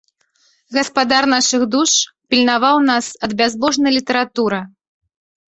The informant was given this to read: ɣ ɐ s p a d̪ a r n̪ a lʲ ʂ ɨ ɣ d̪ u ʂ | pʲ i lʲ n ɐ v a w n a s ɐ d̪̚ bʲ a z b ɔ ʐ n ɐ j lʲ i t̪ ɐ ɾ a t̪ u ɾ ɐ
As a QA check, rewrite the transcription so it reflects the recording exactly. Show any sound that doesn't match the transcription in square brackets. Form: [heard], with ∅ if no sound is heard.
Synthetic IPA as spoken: ɣ ɐ s p a d̪ a r n̪ a [∅] ʂ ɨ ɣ d̪ u ʂ | pʲ i lʲ n [a] v a w n a s ɐ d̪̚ bʲ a z b ɔ ʐ n ɐ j lʲ i t̪ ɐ ɾ a t̪ u ɾ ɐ

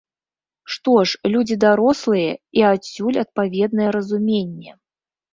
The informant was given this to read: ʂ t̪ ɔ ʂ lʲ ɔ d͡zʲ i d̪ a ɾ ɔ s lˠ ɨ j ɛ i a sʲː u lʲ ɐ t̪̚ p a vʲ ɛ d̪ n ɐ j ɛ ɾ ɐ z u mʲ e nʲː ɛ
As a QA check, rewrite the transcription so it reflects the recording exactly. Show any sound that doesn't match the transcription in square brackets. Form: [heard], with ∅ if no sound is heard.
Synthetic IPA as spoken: ʂ t̪ ɔ ʂ lʲ [u] d͡zʲ i d̪ a ɾ ɔ s lˠ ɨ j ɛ i a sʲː u lʲ ɐ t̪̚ p a vʲ ɛ d̪ n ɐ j ɛ ɾ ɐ z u mʲ e nʲː ɛ

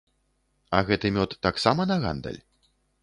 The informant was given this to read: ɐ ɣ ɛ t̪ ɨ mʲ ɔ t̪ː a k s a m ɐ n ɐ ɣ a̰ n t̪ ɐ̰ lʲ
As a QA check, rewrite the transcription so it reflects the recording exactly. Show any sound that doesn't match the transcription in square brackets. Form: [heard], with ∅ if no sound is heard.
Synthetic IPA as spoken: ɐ ɣ ɛ t̪ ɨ mʲ ɔ t̪ː a k s a m ɐ n ɐ ɣ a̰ n [d̪] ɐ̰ lʲ

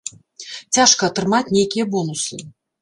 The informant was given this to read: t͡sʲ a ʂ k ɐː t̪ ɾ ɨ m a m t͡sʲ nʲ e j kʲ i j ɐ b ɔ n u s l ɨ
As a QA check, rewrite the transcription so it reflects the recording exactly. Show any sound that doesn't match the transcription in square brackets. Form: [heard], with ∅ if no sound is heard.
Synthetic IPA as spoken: t͡sʲ a ʂ k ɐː t̪ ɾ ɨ m a [∅] t͡sʲ nʲ e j kʲ i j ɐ b ɔ n u s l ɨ

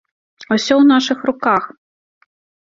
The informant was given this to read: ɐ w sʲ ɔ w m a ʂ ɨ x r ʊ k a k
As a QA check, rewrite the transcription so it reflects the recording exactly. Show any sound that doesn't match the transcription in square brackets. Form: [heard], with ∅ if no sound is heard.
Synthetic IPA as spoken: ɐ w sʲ ɔ w [n] a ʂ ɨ x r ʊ k a [x]

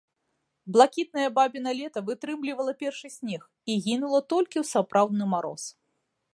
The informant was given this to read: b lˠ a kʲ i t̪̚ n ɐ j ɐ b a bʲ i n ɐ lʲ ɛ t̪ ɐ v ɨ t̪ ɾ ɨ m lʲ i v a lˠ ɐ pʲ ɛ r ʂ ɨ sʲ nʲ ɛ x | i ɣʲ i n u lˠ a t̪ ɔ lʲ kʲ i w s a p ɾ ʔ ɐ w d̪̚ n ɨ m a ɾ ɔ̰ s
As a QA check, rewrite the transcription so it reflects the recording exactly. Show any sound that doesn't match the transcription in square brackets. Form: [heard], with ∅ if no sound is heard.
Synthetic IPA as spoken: b lˠ a kʲ i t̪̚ n ɐ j ɐ b a bʲ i n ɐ lʲ ɛ t̪ ɐ v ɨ t̪ ɾ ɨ m lʲ i v [ɐ] lˠ ɐ pʲ ɛ r ʂ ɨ sʲ nʲ ɛ x | i ɣʲ i n u lˠ [ɐ] t̪ ɔ lʲ kʲ i w s a p ɾ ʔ [a] w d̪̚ n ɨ m a ɾ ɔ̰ s

